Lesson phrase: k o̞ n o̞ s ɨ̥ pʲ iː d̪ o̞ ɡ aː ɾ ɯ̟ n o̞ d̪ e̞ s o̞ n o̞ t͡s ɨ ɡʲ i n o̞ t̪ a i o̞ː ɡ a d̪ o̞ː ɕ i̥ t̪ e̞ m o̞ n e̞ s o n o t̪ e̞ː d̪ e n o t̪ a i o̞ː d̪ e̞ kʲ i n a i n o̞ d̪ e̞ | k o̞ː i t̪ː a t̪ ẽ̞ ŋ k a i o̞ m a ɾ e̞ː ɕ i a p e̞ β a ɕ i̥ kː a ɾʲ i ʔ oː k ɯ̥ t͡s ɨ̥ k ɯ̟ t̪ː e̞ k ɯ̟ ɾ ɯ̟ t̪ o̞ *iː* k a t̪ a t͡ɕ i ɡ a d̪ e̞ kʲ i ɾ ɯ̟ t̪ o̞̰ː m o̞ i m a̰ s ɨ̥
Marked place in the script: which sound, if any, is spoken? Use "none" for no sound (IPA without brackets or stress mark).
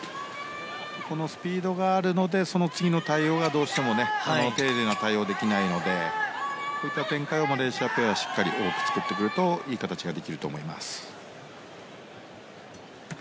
iː